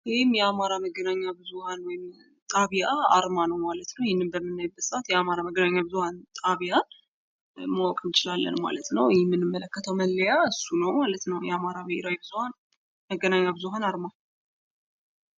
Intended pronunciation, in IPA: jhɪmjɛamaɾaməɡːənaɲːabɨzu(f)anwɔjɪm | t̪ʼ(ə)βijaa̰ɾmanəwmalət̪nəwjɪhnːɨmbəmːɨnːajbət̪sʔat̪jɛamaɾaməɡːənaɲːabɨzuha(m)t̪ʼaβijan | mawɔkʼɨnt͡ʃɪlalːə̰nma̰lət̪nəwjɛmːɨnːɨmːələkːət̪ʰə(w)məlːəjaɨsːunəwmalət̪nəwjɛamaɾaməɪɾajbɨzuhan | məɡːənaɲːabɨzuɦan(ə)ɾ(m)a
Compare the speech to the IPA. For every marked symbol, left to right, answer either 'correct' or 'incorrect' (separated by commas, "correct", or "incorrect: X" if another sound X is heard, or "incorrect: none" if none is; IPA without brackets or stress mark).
incorrect: h, incorrect: a, incorrect: n, correct, incorrect: a, correct